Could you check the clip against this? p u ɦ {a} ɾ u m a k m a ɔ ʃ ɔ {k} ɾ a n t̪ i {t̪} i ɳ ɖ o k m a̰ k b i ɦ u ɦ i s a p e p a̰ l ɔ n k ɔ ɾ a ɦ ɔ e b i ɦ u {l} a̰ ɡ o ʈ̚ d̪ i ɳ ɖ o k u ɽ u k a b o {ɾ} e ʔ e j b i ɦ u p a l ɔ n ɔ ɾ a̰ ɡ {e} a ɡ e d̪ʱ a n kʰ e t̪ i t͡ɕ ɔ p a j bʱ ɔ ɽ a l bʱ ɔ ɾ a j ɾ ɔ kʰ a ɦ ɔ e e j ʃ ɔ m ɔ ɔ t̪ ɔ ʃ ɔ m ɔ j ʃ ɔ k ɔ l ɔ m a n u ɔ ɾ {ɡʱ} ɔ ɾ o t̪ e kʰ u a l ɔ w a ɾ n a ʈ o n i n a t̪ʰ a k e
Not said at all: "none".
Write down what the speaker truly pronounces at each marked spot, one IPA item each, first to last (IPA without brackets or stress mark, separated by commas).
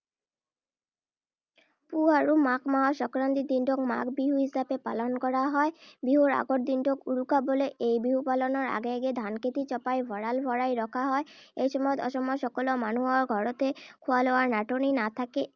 a, k, d̪, ɾ, l, e, ɡʱ